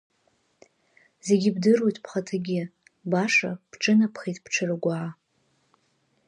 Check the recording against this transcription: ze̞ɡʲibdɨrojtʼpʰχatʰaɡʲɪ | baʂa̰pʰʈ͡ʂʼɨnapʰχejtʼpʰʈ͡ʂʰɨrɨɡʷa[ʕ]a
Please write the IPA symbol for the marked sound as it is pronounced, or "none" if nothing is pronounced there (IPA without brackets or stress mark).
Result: ʕ